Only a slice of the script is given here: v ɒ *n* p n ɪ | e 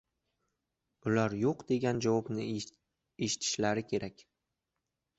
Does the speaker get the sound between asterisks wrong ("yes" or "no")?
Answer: yes